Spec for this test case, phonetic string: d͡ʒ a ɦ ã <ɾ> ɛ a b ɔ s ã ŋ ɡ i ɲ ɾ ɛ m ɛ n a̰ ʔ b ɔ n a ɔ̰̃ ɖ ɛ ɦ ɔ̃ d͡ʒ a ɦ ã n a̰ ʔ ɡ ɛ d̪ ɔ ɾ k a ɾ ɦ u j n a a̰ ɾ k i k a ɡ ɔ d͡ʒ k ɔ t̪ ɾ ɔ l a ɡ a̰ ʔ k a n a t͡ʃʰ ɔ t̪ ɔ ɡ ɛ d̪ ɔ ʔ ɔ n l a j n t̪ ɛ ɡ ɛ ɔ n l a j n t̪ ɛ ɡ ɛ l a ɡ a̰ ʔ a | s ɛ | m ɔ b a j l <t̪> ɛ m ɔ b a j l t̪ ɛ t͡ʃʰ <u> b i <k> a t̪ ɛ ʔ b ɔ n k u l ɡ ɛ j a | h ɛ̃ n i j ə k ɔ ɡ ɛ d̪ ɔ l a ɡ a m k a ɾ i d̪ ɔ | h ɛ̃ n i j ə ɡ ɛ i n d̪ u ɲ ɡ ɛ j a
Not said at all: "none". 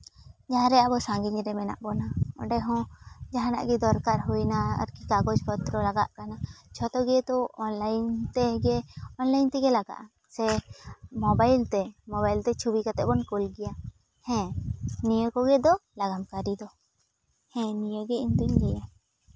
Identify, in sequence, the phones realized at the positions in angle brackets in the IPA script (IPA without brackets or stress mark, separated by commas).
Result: ɾ, t̪, u, k